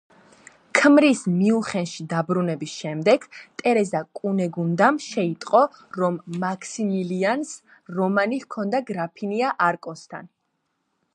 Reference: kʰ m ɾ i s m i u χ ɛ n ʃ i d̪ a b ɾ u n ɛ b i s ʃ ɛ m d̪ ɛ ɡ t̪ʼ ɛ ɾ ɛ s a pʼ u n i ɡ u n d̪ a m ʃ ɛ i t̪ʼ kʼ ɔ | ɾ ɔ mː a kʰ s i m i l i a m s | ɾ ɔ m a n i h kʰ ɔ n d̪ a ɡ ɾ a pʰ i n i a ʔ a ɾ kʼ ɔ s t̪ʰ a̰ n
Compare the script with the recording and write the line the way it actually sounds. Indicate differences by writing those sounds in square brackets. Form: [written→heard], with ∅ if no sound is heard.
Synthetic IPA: kʰ m ɾ i s m i u χ ɛ n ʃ i d̪ a b ɾ u n ɛ b i s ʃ ɛ m d̪ ɛ ɡ t̪ʼ ɛ ɾ ɛ [s→z] a [pʼ→kʼ] u n [i→ɛ] ɡ u n d̪ a m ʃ ɛ i t̪ʼ [kʼ→qʼ] ɔ | ɾ ɔ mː a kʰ s i m i l i a [m→n] s | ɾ ɔ m a n i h kʰ ɔ n d̪ a ɡ ɾ a pʰ i n i a ʔ a ɾ kʼ ɔ s t̪ʰ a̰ n